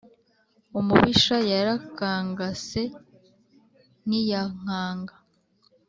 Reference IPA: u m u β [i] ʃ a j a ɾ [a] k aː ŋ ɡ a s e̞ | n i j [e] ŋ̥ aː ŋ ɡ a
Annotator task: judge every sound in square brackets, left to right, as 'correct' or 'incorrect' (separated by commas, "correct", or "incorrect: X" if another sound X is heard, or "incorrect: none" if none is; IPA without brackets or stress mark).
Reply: correct, correct, incorrect: a